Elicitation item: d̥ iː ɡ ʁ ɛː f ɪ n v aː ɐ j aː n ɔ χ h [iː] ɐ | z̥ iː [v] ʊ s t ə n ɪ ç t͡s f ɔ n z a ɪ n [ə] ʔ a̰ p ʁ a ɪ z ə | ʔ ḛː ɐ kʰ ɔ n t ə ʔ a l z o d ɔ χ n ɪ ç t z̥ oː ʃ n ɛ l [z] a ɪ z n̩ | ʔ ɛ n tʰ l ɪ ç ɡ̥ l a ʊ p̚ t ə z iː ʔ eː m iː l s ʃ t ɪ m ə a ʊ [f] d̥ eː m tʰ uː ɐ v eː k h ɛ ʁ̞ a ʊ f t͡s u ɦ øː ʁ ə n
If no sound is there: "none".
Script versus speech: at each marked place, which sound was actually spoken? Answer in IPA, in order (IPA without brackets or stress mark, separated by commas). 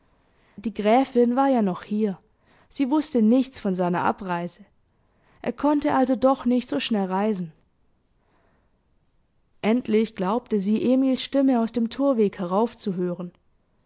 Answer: iː, v, ɐ, ʁ, s